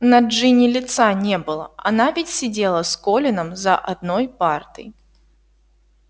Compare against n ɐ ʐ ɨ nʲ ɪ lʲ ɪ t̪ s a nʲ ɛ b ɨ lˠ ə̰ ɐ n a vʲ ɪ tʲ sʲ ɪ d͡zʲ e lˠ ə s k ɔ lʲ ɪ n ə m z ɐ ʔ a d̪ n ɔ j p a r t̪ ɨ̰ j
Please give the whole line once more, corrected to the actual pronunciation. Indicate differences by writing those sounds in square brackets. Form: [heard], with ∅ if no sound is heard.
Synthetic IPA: n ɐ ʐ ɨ nʲ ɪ lʲ ɪ t̪ s a nʲ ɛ b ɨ lˠ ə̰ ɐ n a vʲ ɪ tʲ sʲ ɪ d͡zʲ e lˠ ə s k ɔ lʲ ɪ n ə m z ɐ ʔ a d̪ n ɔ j p a r t̪ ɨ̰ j